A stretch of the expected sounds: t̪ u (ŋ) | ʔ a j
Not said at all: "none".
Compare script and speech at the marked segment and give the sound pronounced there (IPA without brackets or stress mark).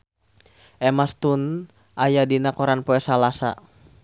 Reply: n